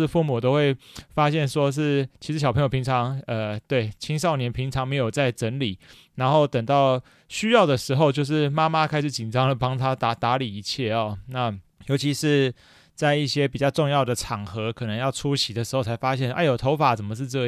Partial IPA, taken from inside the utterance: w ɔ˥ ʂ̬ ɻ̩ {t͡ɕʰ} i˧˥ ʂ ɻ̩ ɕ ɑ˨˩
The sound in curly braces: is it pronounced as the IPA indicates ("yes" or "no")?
yes